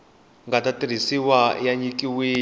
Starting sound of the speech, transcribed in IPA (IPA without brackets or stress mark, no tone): ŋ